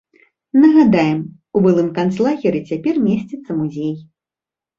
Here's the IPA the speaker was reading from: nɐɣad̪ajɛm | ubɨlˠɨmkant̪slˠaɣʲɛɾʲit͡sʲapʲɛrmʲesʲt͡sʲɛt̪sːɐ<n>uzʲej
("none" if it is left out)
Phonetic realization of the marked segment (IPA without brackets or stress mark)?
m